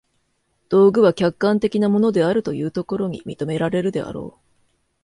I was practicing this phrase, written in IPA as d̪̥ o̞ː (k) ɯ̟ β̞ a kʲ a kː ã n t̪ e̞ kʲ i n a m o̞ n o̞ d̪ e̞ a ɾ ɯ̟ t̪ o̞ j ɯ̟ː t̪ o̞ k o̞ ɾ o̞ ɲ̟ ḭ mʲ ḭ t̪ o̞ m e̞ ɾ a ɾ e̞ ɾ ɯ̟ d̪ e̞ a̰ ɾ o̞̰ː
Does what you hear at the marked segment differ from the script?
yes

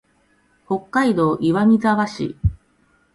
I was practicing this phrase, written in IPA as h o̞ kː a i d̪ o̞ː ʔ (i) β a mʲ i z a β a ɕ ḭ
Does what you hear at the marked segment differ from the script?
no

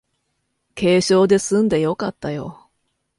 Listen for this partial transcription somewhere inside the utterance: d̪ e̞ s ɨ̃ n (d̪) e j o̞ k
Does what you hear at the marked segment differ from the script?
no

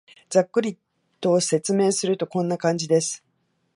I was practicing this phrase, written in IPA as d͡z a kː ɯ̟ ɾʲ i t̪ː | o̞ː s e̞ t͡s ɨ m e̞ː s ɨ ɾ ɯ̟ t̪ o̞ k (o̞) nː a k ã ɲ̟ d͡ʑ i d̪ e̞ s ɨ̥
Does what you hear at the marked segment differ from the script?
yes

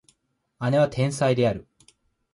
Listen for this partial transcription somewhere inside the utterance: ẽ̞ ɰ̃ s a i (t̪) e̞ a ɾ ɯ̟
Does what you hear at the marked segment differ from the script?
yes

